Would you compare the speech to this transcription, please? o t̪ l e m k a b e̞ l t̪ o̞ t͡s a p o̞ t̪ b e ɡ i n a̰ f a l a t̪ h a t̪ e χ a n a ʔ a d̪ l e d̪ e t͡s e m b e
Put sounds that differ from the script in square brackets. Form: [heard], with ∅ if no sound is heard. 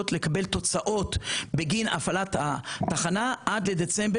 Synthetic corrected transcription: o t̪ l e [∅] k a b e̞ l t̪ o̞ t͡s a [ʔ] o̞ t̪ b e ɡ i n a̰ f a l a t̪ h a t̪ [a] χ a n a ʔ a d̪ l e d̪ e t͡s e m b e